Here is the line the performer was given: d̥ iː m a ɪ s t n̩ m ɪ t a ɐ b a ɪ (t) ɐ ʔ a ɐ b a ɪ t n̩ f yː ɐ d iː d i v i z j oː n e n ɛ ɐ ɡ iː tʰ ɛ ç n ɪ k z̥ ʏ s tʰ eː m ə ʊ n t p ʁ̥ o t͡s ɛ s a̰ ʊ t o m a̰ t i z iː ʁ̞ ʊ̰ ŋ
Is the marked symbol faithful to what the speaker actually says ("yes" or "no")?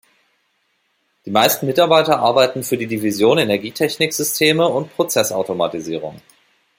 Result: yes